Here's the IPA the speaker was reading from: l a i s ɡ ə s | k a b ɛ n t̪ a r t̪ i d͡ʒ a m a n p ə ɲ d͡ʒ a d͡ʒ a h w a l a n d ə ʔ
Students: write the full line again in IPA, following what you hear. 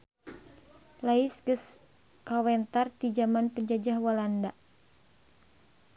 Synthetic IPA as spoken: l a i s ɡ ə s | k a w ɛ n t̪ a r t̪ i d͡ʒ a m a n p ə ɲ d͡ʒ a d͡ʒ a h w a l a n d a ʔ